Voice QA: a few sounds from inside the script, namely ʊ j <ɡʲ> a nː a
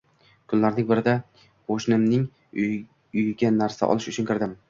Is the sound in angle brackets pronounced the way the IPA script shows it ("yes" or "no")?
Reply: yes